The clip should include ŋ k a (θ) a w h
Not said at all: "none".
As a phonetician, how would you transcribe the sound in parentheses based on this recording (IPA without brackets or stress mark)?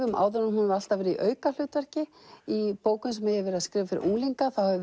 θ